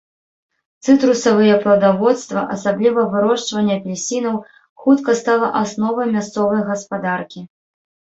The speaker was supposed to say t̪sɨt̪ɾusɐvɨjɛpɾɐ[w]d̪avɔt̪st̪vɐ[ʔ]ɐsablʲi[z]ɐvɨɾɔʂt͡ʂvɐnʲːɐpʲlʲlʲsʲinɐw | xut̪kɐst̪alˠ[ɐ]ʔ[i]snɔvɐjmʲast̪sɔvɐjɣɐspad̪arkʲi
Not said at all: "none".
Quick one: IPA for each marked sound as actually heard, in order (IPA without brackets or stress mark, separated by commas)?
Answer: w, ʔ, v, ɐ, a